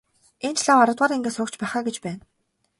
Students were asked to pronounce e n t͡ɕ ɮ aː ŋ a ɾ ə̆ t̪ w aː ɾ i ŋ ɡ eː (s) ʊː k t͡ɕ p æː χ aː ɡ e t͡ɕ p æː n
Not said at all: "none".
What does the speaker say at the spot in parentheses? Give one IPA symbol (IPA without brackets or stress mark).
s